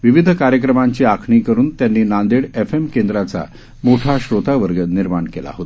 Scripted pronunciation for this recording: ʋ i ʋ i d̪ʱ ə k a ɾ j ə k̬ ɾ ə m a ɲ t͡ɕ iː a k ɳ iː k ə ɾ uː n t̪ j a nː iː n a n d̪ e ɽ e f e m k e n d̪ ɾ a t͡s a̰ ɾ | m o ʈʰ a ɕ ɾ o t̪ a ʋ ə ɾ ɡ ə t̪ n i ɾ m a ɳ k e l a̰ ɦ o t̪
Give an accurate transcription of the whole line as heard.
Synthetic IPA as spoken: ʋ i ʋ i d̪ʱ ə k a ɾ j ə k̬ ɾ ə m a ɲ t͡ɕ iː a kʰ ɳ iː k ə ɾ uː n t̪ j a nː iː n a n d̪ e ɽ e f e m k e n d̪ ɾ a t͡s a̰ | m o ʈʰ a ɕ ɾ o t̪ a ʋ ə ɾ ɡ ə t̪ n i ɾ m a ɳ k e l a̰ ɦ o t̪